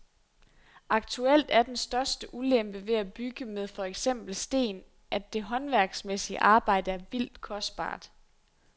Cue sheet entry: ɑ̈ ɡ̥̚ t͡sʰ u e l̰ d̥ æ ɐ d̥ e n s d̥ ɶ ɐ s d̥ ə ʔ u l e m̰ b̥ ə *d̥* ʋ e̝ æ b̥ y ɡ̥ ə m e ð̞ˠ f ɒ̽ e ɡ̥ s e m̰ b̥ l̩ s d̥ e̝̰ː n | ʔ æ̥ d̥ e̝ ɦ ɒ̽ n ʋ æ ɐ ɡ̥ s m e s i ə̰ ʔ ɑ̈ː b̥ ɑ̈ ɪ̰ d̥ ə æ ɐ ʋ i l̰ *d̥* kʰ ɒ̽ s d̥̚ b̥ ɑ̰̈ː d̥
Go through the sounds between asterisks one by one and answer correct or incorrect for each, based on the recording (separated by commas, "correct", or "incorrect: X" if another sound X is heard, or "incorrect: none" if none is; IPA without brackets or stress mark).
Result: incorrect: none, correct